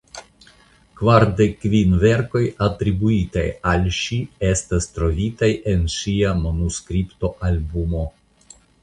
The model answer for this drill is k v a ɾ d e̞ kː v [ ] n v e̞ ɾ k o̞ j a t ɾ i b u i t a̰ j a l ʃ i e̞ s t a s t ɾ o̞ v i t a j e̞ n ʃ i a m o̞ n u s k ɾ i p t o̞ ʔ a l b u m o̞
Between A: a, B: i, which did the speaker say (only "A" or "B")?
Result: B